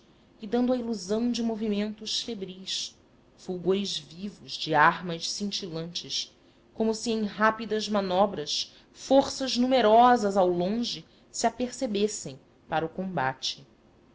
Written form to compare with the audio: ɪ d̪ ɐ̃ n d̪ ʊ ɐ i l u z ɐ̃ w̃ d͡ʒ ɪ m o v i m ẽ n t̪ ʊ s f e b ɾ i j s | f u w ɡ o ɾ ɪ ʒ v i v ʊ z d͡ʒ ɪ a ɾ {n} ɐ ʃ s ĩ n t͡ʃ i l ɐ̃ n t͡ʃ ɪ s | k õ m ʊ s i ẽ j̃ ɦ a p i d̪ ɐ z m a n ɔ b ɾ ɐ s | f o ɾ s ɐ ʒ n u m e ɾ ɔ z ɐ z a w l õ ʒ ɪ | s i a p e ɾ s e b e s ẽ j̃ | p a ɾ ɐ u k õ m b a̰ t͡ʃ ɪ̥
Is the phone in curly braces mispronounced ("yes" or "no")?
yes